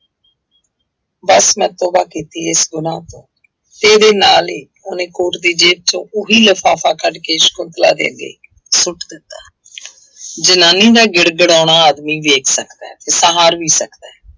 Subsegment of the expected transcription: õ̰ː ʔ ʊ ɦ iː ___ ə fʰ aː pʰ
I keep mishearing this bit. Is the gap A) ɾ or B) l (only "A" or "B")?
B